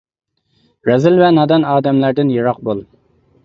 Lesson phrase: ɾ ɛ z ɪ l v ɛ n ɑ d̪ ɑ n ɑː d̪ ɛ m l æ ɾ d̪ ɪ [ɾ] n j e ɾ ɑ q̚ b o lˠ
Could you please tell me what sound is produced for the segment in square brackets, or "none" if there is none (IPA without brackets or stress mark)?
none